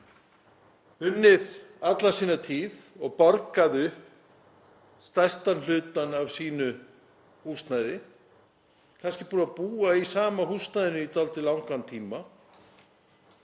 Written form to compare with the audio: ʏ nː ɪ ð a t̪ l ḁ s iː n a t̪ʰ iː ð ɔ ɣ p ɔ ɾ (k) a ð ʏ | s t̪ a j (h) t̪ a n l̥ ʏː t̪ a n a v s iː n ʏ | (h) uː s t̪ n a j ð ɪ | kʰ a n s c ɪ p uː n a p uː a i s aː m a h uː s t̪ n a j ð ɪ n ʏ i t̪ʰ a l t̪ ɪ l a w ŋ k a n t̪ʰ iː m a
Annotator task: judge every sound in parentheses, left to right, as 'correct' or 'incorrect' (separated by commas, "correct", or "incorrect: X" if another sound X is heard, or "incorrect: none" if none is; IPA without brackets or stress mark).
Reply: correct, incorrect: s, correct